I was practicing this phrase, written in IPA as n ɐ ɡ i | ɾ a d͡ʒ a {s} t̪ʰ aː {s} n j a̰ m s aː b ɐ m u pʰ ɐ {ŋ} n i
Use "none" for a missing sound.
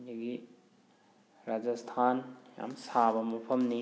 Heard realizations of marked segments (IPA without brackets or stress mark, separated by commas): s, none, m